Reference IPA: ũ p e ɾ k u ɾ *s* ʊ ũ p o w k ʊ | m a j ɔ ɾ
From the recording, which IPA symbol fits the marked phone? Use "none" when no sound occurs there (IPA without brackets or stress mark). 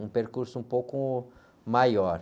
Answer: s